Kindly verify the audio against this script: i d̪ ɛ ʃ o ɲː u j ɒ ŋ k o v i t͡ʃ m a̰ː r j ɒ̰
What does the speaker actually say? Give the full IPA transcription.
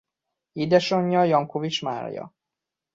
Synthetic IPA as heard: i d̪ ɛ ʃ o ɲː ɒ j ɒ ŋ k o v i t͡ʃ m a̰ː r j ɒ̰